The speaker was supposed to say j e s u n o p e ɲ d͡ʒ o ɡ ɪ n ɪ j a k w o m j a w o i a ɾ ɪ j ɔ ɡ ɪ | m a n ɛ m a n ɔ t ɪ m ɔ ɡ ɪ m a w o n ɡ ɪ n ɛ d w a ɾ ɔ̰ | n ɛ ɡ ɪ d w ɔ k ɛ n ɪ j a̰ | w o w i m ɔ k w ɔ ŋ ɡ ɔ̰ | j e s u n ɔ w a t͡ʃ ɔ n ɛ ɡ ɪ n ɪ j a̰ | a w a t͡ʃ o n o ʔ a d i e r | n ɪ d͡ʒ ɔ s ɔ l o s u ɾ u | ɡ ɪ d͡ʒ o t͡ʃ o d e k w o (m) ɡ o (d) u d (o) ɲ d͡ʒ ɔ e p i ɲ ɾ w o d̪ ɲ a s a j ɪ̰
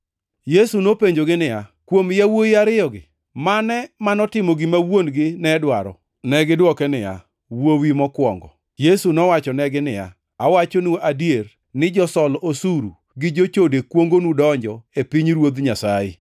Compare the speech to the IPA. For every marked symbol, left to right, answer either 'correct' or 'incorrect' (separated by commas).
incorrect, incorrect, incorrect